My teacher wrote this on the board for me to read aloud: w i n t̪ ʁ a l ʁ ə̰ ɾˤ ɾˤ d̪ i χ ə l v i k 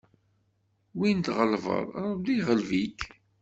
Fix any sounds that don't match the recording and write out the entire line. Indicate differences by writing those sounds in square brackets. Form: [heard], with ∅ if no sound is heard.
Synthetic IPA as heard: w i n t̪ ʁ [ə] l [v] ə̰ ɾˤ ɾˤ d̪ i [ʁ] ə l v i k